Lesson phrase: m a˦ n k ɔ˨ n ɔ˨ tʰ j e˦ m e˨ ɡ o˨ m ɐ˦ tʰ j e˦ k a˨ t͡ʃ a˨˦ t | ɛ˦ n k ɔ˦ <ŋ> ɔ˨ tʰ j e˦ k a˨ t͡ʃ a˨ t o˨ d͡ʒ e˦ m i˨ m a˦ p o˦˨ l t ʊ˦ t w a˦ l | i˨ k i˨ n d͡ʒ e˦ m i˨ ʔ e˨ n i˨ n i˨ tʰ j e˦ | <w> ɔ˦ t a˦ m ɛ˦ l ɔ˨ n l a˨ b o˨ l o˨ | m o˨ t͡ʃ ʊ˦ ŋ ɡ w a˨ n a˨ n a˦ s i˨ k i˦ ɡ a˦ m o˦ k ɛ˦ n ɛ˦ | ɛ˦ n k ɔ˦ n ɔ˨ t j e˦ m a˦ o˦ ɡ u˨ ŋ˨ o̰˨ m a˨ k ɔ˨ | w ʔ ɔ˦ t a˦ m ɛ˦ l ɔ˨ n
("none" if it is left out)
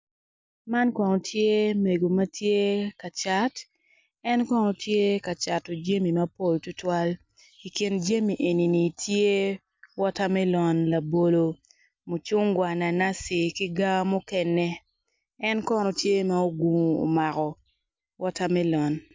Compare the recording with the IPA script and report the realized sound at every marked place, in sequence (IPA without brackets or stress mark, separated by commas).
n, w